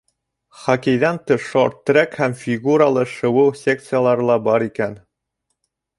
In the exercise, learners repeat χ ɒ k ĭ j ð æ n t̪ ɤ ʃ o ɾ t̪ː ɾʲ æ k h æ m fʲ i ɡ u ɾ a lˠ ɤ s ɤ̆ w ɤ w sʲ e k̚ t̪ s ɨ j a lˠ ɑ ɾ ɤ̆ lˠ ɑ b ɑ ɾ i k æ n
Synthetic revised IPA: χ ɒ k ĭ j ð æ n t̪ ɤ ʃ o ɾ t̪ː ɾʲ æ k h æ m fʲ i ɡ u ɾ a lˠ ɤ ʃ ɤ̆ w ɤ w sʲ e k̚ t̪ s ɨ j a lˠ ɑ ɾ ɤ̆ lˠ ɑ b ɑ ɾ i k æ n